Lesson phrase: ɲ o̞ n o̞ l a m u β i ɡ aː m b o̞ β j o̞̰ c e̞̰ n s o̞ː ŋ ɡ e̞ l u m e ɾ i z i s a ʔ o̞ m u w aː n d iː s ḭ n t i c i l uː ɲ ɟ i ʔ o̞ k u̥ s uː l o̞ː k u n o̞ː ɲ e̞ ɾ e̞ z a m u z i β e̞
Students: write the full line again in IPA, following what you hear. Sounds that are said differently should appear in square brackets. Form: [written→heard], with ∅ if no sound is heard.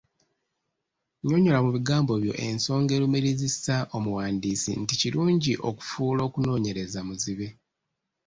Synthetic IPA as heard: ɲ o̞ [n→ɲ] o̞ l a m u β i ɡ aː m b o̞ β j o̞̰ [c→ʔ] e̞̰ n s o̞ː ŋ ɡ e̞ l u m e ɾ i z i s a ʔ o̞ m u w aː n d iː s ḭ n t i c i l uː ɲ ɟ i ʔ o̞ k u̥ [s→f] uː l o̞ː k u n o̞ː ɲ e̞ ɾ e̞ z a m u z i β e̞